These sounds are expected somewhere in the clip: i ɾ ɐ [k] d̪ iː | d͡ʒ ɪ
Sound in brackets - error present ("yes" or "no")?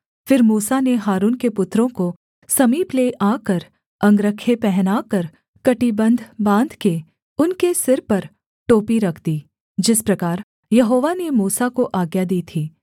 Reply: yes